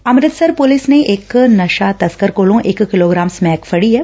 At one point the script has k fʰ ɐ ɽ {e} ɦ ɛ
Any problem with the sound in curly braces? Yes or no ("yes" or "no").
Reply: yes